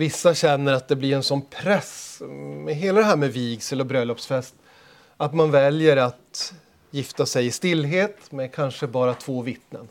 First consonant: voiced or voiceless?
voiced